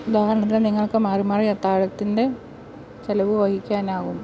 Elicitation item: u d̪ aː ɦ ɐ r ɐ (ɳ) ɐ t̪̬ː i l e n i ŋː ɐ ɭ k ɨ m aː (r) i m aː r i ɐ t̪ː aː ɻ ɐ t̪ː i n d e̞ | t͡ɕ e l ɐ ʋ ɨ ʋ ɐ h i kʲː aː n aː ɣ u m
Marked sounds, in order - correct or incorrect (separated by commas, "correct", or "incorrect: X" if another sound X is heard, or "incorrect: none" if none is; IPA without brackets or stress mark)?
correct, correct